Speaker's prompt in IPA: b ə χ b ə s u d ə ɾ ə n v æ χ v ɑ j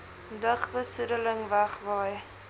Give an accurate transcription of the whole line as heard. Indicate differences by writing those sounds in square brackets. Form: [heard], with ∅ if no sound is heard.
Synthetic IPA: [d] ə χ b ə s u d ə [l] ə [ŋ] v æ χ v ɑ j